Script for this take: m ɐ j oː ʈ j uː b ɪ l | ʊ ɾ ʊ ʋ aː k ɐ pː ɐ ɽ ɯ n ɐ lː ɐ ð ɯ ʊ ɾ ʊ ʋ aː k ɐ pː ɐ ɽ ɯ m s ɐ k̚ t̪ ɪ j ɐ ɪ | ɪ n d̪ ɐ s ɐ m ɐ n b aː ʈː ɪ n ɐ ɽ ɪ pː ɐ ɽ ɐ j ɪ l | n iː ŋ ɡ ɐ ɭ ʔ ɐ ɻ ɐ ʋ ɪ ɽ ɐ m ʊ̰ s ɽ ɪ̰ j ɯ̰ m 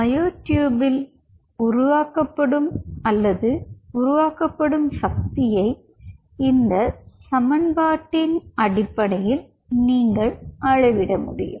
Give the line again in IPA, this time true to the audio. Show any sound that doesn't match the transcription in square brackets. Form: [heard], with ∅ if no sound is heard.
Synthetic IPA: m ɐ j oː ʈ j uː b ɪ l | ʊ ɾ ʊ ʋ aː k ɐ pː ɐ ɽ ɯ [m] ɐ lː ɐ ð ɯ ʊ ɾ ʊ ʋ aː k ɐ pː ɐ ɽ ɯ m s ɐ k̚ t̪ ɪ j ɐ ɪ | ɪ n d̪ ɐ s ɐ m ɐ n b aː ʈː ɪ n ɐ ɽ ɪ pː ɐ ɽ ɐ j ɪ l | n iː ŋ ɡ ɐ ɭ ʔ ɐ ɻ ɐ ʋ ɪ ɽ ɐ m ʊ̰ [∅] ɽ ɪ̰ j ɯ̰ m